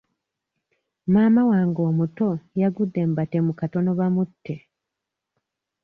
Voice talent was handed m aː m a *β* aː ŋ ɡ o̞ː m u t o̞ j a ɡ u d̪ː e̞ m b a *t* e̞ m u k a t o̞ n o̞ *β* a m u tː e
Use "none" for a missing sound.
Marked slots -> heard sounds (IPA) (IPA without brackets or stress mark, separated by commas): w, t, β